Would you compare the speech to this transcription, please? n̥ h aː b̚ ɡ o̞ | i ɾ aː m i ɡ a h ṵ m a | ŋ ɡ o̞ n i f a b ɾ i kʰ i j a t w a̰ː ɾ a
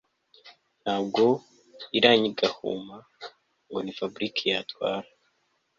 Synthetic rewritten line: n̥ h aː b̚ ɡ o̞ | i ɾ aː ɲ i ɡ a h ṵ m a | ŋ ɡ o̞ n i f a b ɾ i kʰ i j a t w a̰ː ɾ a